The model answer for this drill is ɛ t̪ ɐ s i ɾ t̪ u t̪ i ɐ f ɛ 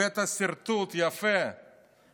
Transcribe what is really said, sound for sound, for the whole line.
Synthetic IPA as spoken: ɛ t̪ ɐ s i ɾ t̪ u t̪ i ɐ f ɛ